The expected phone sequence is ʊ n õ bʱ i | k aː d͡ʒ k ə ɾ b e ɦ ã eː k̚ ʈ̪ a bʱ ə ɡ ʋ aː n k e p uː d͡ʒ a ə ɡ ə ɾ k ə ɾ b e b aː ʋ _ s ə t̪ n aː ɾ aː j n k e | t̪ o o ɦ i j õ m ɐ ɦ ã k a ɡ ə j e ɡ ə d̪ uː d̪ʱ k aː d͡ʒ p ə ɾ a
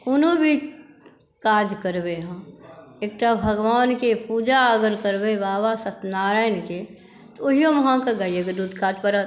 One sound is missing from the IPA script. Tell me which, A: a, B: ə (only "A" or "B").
A